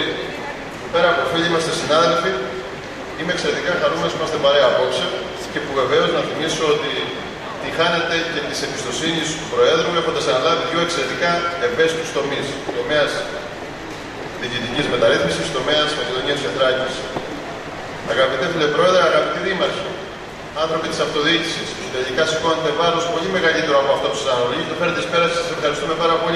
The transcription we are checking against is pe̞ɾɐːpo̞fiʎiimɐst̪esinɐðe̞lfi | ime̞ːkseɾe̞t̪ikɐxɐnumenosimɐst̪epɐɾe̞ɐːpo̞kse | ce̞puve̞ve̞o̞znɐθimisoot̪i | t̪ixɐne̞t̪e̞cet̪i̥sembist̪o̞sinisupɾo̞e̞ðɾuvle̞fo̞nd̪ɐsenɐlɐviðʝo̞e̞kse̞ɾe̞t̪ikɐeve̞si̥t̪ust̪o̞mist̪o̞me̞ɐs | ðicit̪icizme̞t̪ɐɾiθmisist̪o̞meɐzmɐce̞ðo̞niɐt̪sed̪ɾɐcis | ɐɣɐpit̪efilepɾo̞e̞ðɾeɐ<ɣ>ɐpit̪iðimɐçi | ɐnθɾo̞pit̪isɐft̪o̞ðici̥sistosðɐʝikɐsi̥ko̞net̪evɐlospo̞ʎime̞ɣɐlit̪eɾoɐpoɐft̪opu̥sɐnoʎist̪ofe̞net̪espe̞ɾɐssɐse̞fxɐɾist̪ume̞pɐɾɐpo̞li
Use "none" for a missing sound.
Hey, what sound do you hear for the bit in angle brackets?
ɣ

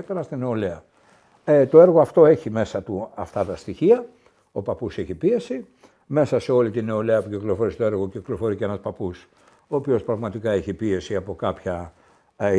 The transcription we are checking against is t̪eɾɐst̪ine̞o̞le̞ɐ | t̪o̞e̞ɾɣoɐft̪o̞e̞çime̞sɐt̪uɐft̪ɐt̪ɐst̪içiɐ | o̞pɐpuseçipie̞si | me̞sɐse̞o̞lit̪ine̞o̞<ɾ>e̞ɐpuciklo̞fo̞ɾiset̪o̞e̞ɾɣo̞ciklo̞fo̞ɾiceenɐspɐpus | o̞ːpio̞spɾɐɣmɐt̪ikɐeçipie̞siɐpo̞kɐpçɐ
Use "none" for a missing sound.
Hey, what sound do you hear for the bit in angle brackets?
l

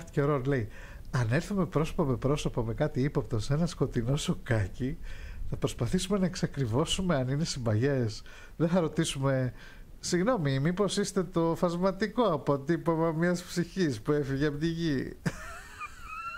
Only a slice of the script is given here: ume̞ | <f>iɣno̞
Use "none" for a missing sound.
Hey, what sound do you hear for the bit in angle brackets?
s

